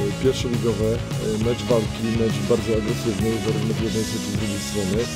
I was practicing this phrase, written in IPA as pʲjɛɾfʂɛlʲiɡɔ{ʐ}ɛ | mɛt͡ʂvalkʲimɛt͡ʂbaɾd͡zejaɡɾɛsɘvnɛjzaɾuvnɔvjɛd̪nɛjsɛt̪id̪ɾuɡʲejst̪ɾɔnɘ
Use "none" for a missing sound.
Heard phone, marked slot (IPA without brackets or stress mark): v